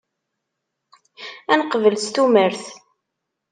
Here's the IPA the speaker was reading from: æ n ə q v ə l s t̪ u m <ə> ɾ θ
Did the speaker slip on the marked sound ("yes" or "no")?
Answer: no